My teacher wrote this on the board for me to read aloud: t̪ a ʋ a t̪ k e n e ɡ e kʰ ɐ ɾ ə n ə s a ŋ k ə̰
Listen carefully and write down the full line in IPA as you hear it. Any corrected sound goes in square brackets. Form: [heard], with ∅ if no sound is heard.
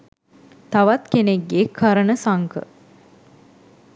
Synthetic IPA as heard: t̪ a ʋ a t̪ k e n e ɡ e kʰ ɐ ɾ ə n ə s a ŋ k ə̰